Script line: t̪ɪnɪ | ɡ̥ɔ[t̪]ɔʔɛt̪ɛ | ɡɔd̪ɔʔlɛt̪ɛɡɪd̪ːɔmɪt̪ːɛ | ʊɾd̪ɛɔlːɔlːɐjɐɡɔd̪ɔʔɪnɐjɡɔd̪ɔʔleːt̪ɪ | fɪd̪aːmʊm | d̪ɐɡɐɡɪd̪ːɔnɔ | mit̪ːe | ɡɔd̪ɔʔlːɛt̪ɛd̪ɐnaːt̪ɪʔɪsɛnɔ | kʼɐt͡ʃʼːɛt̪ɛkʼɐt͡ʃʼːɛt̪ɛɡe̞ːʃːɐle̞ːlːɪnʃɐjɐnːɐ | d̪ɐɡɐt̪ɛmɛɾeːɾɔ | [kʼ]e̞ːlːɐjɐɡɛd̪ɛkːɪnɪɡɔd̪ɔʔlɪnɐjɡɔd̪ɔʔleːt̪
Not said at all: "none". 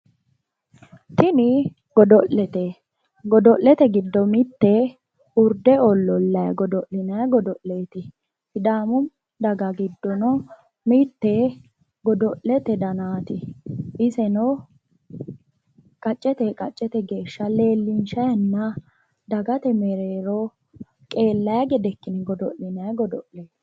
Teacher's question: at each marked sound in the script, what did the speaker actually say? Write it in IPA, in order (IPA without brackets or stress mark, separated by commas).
d̪, kʼ